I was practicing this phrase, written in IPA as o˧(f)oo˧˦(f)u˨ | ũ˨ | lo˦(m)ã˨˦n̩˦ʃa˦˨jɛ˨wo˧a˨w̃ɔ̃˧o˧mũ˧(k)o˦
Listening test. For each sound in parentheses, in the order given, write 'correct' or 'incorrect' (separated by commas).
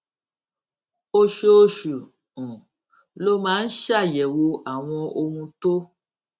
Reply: incorrect, incorrect, correct, incorrect